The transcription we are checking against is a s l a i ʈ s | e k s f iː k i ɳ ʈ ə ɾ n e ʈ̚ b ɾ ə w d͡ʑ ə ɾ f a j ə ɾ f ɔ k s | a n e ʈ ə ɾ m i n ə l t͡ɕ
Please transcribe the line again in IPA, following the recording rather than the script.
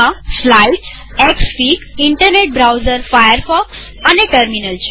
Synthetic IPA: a s l a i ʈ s | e k s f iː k i ɳ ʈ ə ɾ n e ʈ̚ b ɾ a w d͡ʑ ə ɾ f a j ə ɾ f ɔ k s | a n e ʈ ə ɾ m i n ə l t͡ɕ